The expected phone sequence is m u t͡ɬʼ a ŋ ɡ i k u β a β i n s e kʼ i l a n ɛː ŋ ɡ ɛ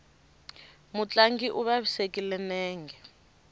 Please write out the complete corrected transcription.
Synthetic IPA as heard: m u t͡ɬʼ a ŋ ɡ i ʔ u β a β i s e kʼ i l ɛ n ɛː ŋ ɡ ɛ